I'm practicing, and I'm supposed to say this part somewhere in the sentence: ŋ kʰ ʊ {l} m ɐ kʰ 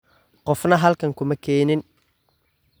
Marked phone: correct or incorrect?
incorrect